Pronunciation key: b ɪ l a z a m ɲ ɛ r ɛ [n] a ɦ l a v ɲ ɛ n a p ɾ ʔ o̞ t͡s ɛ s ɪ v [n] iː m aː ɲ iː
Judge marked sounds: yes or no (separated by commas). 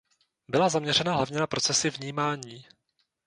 yes, no